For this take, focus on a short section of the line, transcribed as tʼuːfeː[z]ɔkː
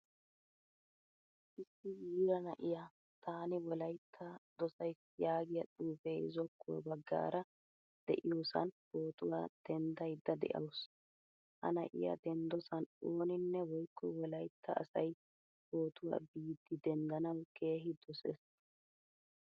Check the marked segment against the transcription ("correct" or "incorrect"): correct